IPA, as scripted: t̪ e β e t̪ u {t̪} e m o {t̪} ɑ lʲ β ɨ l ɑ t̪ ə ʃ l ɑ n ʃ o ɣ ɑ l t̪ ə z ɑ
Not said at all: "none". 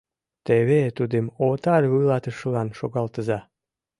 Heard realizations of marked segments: d̪, t̪

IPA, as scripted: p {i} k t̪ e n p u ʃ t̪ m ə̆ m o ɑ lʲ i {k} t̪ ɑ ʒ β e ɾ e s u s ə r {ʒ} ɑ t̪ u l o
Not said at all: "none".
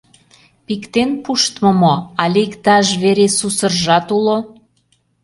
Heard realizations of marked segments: i, k, ʒ

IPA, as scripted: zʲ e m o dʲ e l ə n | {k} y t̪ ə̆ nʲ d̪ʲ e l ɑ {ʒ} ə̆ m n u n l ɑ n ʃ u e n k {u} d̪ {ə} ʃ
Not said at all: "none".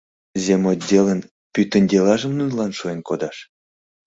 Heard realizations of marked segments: p, ʒ, o, ɑ

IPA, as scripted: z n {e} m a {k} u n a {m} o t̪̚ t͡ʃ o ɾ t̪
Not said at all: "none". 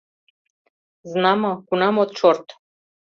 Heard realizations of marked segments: a, k, m

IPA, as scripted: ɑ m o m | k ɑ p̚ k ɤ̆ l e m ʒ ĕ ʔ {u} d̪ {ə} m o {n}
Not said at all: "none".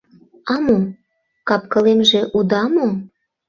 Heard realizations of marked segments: u, ɑ, m

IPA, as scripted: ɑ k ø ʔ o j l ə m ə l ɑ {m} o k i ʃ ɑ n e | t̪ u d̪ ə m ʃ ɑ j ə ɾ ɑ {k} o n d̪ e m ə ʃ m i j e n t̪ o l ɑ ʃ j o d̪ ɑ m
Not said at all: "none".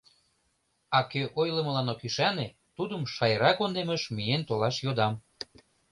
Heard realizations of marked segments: n, k

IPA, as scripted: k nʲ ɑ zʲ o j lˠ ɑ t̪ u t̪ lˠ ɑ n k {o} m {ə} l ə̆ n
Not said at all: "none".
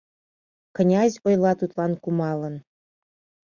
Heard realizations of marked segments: u, ɑ

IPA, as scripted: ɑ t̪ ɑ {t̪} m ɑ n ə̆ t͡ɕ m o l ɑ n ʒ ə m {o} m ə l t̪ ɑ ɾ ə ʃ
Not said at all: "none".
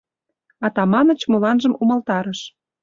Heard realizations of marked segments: none, u

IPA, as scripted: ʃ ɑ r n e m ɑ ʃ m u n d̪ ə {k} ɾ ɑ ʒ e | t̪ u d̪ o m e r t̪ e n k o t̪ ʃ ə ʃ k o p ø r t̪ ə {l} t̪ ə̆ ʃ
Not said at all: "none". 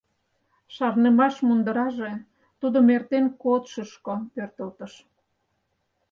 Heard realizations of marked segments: none, l

